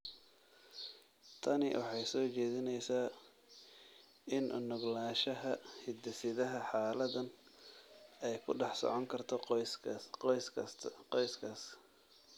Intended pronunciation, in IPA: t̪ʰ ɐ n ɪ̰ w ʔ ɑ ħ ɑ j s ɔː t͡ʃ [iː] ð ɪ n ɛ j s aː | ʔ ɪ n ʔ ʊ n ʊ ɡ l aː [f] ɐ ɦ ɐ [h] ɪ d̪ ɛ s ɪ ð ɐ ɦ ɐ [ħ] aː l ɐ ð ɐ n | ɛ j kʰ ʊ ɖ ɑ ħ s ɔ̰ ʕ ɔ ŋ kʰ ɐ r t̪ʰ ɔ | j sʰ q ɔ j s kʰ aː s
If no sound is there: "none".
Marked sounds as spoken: ɛː, ʃ, h, ħ

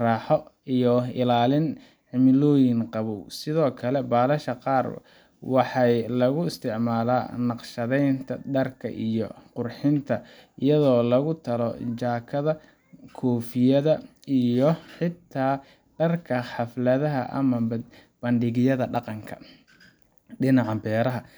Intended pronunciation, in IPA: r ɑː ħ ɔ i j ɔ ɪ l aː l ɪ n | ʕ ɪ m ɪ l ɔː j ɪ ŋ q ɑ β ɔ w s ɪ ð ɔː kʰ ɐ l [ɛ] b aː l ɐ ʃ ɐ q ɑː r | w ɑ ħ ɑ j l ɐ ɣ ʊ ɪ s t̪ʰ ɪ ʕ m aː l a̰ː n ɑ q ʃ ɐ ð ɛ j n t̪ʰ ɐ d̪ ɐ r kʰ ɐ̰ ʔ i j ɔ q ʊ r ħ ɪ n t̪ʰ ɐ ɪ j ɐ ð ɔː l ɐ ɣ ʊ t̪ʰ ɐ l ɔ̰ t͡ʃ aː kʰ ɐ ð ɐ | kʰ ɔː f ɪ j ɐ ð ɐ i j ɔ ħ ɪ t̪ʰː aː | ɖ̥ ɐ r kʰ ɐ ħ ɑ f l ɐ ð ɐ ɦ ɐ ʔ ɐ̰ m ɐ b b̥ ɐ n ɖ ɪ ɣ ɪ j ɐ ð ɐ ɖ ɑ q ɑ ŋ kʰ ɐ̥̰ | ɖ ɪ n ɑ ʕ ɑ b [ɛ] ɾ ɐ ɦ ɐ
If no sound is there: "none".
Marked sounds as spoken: ɛ, ɛː

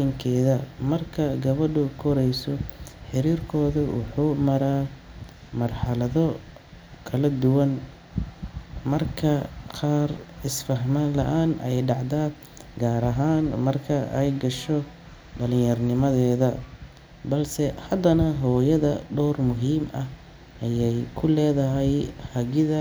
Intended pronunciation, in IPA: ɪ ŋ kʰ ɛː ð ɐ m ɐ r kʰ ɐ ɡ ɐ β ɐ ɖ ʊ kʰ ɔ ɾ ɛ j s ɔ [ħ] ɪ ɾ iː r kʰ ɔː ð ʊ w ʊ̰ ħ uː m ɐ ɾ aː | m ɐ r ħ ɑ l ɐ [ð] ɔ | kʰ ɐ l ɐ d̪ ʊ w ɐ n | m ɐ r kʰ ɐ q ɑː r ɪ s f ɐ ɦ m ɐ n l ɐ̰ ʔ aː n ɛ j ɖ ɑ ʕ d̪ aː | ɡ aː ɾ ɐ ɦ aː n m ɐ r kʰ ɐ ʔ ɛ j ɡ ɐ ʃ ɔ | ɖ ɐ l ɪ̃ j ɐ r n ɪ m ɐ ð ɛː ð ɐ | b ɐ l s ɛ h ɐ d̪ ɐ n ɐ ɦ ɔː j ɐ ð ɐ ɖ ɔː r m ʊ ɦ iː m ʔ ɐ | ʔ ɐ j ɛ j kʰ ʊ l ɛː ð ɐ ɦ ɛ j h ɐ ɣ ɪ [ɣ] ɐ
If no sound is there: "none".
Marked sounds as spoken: ħ, ð, ð

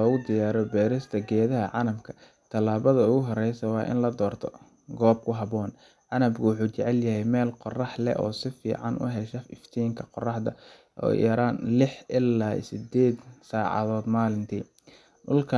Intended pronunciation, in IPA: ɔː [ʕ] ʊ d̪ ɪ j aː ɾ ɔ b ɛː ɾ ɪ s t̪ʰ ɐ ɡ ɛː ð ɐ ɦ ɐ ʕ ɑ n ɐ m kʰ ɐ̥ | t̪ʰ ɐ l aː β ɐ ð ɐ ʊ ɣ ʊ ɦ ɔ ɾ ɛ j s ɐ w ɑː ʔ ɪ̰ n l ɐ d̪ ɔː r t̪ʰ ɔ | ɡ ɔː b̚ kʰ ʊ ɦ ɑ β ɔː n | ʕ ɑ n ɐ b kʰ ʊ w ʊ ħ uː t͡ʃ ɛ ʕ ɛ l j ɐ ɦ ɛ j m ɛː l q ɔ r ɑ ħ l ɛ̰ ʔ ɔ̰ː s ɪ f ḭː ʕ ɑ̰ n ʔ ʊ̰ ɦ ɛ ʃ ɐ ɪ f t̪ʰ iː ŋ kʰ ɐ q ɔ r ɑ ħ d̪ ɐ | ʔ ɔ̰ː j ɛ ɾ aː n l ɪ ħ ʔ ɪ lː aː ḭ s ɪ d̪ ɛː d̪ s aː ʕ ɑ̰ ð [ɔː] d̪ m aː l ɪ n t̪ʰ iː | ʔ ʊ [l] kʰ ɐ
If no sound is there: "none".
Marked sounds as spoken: ɣ, ɔː, l

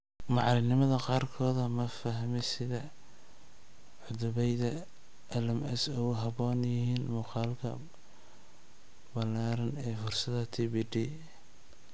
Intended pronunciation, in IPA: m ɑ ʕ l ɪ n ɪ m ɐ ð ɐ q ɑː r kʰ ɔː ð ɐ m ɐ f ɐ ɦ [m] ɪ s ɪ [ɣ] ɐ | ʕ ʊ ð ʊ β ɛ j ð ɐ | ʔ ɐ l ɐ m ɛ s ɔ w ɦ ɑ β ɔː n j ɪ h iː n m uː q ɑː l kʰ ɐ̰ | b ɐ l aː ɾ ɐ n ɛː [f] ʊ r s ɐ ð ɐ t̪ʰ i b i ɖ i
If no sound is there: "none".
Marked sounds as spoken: m, ð, f

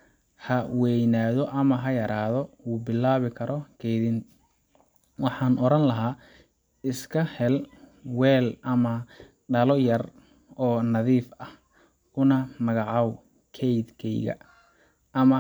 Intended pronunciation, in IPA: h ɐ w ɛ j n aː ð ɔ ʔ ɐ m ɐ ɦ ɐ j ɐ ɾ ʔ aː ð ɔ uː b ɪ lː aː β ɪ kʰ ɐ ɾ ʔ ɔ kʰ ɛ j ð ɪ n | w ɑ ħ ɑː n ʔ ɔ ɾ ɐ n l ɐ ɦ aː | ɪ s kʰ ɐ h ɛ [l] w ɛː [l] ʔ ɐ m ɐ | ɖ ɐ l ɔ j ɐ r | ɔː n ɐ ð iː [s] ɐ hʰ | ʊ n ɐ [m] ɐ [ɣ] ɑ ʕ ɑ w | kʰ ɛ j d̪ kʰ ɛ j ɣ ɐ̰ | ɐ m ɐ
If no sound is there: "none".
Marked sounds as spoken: l, l, f, m, ɣ

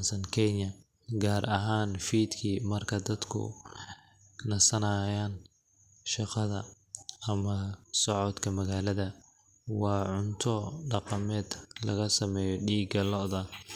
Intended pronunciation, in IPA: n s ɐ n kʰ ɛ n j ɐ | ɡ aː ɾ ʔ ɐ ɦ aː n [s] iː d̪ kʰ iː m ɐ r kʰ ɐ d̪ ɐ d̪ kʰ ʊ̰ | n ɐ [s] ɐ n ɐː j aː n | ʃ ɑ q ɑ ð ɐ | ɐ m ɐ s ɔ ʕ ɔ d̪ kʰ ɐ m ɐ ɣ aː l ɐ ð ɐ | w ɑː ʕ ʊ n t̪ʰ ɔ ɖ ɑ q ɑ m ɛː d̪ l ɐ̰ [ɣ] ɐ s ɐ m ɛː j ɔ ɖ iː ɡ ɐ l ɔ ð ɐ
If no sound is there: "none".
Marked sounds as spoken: f, s, ɣ

